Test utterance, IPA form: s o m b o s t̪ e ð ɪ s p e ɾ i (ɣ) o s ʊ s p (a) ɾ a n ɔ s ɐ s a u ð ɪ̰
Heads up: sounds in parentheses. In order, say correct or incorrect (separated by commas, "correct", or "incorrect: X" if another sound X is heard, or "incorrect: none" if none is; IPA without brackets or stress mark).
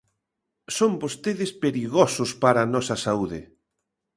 correct, correct